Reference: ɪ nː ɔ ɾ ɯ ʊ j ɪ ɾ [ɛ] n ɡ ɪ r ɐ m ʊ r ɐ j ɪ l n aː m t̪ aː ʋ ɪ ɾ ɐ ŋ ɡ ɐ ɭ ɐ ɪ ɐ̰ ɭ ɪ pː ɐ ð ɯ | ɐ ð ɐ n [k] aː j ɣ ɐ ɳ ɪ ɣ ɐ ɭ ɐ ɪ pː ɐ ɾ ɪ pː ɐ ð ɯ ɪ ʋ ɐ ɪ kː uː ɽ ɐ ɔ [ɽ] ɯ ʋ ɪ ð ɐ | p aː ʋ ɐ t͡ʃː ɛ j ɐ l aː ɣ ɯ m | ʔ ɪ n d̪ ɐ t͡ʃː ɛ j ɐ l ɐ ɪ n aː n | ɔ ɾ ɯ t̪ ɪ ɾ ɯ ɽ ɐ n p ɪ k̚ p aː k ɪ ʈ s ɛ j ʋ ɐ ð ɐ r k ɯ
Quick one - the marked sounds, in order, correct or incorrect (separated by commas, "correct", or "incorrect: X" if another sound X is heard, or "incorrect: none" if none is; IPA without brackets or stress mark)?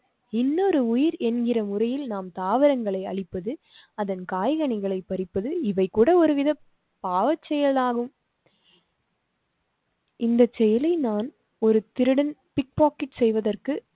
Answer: correct, correct, incorrect: ɾ